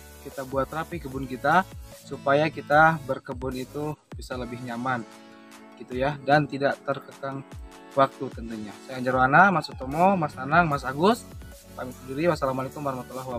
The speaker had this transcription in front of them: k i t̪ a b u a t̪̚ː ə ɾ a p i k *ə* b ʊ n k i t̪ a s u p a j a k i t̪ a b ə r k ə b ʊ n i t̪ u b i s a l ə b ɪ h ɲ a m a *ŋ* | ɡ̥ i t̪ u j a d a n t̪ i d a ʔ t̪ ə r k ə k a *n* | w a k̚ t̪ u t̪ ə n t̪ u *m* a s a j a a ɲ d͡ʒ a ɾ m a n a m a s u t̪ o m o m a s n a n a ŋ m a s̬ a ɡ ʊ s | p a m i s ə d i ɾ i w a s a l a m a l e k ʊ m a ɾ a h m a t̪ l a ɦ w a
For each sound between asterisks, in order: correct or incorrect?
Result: correct, incorrect, incorrect, incorrect

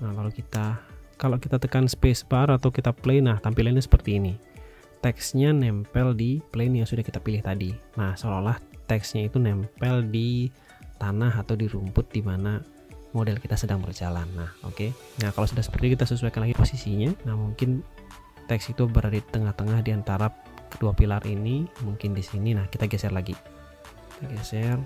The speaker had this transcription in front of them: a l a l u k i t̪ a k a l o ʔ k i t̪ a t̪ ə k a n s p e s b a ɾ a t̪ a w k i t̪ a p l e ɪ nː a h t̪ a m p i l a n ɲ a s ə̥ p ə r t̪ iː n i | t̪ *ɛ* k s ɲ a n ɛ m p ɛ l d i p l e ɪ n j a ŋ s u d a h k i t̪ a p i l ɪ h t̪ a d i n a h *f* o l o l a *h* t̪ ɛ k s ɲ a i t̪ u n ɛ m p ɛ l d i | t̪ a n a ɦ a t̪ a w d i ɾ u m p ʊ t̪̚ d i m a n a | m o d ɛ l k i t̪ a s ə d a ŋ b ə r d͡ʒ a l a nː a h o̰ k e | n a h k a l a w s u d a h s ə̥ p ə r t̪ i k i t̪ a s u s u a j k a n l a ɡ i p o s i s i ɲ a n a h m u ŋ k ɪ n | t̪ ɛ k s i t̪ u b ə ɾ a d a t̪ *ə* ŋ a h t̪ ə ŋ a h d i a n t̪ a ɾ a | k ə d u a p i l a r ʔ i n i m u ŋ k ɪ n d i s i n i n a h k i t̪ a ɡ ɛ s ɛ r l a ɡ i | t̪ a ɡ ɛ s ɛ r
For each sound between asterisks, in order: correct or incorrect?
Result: correct, incorrect, correct, correct

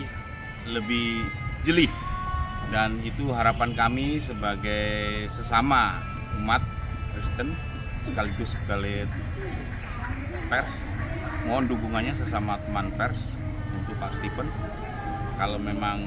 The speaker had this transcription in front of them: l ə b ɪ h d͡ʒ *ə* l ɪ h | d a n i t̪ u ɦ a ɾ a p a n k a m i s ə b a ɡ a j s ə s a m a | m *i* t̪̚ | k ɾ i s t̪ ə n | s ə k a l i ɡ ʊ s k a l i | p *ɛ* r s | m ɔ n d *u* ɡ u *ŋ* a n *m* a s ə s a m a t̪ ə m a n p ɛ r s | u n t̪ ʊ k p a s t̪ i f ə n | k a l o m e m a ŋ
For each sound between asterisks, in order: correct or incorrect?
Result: correct, incorrect, correct, correct, correct, incorrect

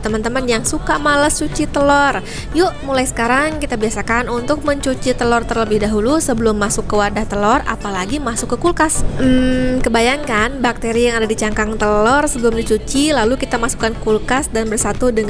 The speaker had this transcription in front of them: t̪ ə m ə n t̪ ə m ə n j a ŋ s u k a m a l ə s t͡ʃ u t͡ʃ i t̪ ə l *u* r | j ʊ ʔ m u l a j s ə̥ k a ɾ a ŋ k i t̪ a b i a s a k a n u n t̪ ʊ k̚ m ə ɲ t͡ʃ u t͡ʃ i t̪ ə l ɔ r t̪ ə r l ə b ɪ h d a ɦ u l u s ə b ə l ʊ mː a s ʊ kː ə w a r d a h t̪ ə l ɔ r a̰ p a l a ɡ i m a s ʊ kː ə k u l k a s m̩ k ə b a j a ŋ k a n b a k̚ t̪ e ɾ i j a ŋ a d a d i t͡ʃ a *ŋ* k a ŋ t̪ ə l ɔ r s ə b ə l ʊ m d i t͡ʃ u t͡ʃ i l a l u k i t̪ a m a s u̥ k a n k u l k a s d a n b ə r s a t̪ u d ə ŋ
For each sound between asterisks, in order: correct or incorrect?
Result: incorrect, correct

